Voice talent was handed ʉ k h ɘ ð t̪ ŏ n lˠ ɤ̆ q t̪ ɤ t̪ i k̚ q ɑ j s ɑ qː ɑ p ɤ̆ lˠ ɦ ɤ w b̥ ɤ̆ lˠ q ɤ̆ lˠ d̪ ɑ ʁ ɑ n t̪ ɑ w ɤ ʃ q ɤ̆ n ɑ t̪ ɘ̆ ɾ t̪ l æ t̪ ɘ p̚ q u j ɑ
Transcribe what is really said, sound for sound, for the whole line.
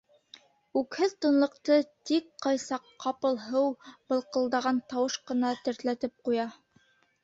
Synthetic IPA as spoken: ʉ k h ɘ ð t̪ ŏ n lˠ ɤ̆ q t̪ ɤ t̪ i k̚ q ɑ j s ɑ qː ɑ p ɤ̆ lˠ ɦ ɤ w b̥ ɤ̆ lˠ q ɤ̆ lˠ d̪ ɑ ʁ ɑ n t̪ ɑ w ɤ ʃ q ɤ̆ n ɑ t̪ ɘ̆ ɾ t̪ l æ t̪ ɘ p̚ q u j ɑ